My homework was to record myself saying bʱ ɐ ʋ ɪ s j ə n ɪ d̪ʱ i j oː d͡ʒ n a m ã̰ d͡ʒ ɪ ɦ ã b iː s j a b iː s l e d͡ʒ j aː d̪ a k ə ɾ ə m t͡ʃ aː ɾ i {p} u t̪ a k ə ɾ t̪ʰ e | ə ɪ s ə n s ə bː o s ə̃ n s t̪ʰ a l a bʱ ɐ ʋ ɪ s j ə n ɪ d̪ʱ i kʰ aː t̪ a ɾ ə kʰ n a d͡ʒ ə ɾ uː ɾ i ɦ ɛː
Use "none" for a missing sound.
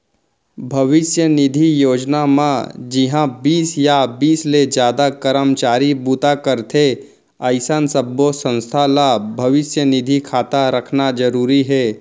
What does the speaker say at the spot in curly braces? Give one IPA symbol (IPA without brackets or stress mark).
b